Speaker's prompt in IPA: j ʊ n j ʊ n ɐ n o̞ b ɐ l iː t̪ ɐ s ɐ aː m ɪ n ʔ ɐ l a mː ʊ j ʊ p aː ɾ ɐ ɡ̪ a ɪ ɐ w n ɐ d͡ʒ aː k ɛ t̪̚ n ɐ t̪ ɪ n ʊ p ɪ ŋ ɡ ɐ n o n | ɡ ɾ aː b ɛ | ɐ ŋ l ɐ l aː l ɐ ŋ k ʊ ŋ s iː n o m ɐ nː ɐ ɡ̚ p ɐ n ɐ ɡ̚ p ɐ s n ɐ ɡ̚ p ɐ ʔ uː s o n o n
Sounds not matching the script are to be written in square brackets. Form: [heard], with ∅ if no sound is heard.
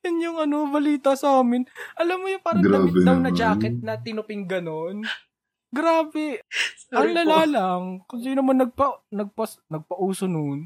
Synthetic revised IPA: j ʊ n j ʊ [ŋ] ɐ n o̞ b ɐ l iː t̪ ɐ s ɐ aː m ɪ n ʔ ɐ l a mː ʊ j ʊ p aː ɾ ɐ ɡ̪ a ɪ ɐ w n ɐ d͡ʒ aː k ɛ t̪̚ n ɐ t̪ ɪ n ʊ p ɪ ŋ ɡ ɐ n o n | ɡ ɾ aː b ɛ | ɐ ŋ l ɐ l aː l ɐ ŋ k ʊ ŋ s iː n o m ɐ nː ɐ ɡ̚ p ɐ n ɐ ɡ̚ p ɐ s n ɐ ɡ̚ p ɐ ʔ uː s o n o n